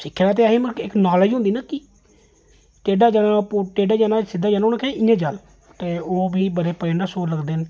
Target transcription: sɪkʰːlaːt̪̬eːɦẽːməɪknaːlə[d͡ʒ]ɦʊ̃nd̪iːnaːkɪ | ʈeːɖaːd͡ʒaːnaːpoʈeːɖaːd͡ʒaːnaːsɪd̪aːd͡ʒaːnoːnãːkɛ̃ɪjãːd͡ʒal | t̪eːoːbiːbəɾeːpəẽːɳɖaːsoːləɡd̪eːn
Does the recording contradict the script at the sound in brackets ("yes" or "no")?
no